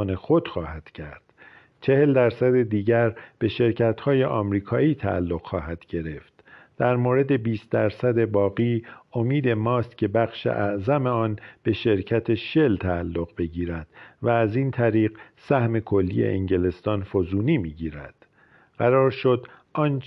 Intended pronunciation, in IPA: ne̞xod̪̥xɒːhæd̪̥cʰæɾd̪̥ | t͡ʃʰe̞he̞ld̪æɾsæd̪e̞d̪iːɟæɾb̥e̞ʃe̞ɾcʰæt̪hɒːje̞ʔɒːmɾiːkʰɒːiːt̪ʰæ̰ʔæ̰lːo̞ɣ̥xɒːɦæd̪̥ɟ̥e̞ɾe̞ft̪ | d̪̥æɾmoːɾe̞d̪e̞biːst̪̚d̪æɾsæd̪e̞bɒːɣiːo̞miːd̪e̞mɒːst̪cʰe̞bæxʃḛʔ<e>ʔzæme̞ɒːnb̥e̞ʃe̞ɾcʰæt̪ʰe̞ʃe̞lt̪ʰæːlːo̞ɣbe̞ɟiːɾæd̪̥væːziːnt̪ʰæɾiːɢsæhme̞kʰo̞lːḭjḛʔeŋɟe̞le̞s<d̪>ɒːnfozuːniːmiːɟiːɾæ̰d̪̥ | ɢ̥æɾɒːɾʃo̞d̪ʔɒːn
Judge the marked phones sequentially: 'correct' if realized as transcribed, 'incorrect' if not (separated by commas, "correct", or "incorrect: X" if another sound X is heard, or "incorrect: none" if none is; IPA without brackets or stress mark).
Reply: incorrect: æ, incorrect: t̪